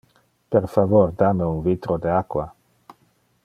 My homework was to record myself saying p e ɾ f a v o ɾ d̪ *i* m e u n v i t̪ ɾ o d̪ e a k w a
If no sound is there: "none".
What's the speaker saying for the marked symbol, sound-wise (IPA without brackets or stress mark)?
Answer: a